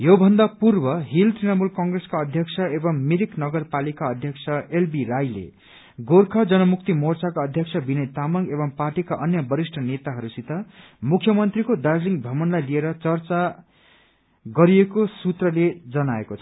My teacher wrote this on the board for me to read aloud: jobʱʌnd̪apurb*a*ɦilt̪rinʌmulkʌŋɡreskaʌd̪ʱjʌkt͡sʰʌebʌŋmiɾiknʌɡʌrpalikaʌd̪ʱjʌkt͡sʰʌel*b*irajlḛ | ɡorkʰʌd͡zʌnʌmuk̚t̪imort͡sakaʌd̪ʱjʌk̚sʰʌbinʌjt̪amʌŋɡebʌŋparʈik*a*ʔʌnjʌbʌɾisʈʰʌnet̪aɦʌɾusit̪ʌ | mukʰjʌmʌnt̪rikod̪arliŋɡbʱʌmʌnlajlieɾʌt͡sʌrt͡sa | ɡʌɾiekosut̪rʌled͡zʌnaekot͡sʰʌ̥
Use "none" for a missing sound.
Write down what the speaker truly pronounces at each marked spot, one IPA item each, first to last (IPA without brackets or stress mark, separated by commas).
ʌ, b, a